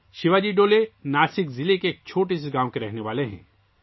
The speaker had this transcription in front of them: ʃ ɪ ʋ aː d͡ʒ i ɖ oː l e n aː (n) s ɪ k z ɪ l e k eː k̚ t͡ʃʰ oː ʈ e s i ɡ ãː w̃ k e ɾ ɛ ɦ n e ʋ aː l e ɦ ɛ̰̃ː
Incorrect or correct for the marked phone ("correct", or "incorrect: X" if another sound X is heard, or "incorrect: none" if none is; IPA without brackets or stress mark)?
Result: incorrect: none